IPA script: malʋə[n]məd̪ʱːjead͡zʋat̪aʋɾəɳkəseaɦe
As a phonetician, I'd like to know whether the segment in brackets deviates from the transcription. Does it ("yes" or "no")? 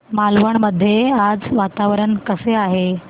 yes